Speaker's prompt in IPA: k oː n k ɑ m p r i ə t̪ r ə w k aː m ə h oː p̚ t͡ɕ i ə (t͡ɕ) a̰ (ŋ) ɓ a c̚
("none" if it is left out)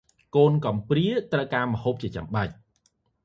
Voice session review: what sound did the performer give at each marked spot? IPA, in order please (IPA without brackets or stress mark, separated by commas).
t͡ɕ, m